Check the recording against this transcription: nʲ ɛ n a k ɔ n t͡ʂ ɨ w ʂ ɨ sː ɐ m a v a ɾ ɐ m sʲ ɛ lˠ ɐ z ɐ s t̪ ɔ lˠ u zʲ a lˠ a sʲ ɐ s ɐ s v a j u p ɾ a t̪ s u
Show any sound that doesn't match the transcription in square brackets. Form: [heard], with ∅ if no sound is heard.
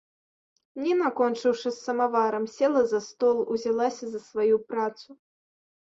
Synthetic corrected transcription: nʲ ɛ n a k ɔ n t͡ʂ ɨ w ʂ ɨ sː ɐ m a v a ɾ ɐ m sʲ ɛ lˠ ɐ z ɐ s t̪ ɔ lˠ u zʲ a lˠ a sʲ ɐ [z] ɐ s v a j u p ɾ a t̪ s u